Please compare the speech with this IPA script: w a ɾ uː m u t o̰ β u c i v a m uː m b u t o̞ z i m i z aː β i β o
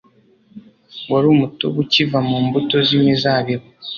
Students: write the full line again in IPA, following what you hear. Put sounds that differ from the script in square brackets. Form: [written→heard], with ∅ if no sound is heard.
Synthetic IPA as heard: w a ɾ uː m u t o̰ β u c i v a m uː m b u t o̞ z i m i z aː β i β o